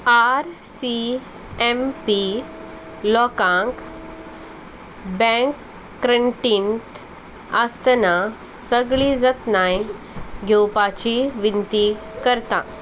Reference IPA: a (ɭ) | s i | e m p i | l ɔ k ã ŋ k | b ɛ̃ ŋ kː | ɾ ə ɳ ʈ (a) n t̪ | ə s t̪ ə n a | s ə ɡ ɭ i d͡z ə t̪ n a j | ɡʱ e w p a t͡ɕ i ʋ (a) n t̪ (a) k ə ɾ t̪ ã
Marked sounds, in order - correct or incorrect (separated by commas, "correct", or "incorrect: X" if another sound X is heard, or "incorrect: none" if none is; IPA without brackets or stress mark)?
incorrect: ɾ, incorrect: i, incorrect: i, incorrect: i